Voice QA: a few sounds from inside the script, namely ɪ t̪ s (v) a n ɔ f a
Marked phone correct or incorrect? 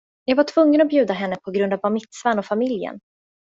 correct